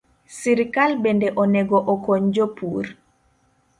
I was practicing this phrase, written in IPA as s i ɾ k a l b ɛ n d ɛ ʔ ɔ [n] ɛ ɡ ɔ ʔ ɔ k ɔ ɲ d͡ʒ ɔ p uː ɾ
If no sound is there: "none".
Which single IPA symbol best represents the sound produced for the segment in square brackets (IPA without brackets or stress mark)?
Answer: n